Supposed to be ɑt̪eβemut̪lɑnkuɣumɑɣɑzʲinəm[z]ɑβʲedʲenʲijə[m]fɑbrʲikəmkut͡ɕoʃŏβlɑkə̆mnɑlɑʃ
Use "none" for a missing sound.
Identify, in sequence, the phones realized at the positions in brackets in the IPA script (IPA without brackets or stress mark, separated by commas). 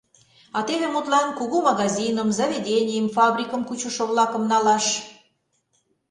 z, m